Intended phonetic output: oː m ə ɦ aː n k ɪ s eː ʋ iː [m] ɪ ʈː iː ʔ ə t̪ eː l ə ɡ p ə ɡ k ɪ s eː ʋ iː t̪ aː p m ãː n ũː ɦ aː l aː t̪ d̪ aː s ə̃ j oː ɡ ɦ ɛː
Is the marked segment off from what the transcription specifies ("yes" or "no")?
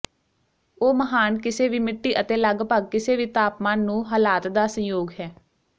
no